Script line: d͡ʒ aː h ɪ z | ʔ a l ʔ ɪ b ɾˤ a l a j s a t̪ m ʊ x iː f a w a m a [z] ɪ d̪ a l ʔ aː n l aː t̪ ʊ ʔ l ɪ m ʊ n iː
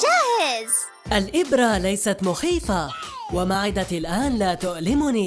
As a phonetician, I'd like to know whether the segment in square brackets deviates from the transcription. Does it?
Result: yes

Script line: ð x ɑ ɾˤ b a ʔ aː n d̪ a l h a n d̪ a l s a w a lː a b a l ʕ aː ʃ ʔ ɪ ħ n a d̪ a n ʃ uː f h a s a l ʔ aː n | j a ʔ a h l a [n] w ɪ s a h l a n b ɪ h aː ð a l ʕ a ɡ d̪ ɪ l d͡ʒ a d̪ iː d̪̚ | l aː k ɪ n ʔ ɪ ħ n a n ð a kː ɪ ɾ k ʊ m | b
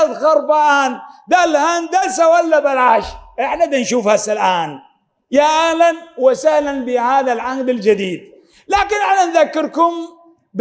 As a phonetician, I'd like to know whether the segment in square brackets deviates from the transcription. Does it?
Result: no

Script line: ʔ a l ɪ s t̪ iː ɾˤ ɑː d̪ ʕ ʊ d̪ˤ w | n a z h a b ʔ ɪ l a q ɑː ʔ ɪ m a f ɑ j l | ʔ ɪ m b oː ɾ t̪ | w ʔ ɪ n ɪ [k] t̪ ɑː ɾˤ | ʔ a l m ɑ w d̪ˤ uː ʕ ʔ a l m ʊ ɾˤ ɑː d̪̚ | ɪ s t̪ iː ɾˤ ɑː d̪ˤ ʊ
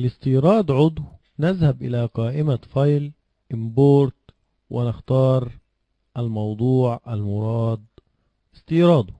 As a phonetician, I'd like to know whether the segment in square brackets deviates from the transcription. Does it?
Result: yes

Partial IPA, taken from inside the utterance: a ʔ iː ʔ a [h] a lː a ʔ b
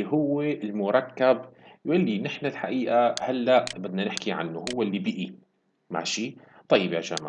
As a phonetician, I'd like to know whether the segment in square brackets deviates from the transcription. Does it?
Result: no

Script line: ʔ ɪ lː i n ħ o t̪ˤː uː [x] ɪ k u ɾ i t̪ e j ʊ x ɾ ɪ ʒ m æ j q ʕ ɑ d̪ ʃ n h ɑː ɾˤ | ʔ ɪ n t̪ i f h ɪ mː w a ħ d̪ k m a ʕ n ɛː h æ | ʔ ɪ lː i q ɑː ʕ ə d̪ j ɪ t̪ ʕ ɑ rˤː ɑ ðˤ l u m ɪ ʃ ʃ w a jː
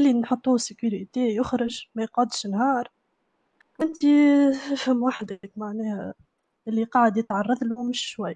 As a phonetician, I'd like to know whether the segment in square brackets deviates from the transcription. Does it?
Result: yes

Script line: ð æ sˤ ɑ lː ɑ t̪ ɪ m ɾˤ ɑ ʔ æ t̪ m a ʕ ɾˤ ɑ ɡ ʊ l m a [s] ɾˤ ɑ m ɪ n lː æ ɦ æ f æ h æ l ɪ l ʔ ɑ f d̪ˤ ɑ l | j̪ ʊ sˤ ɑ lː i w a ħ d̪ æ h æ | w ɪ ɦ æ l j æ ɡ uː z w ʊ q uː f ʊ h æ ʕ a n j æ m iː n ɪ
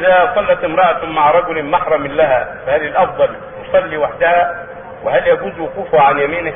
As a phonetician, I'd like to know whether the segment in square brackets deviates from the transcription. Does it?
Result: yes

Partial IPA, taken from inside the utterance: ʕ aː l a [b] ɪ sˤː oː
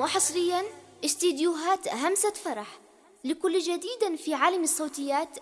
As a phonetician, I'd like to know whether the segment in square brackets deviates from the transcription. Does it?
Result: yes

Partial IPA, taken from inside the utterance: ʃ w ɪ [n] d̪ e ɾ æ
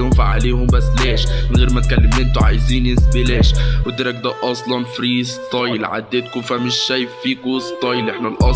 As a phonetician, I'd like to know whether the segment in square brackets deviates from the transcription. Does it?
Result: yes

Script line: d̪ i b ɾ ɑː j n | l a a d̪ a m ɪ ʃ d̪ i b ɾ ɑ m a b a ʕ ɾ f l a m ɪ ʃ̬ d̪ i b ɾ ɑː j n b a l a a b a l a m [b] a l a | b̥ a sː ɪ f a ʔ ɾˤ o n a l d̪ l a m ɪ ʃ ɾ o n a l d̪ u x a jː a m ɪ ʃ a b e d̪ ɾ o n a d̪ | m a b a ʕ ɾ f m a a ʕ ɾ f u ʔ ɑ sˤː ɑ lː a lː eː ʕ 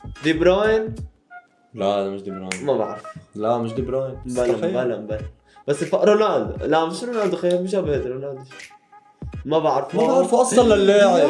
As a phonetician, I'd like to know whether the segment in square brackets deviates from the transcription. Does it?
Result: no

